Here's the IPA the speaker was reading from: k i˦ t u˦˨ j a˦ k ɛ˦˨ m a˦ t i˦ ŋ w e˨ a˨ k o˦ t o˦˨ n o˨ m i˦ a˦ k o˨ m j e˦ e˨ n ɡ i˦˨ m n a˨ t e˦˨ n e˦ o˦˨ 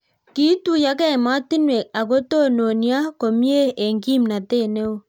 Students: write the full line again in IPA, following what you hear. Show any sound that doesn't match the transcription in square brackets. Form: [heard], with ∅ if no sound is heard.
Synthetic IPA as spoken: k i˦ t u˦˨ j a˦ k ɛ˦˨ m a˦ t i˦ [n] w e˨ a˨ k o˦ t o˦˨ n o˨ [n] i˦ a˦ k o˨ m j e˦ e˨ [ŋ] ɡ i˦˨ m n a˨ t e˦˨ n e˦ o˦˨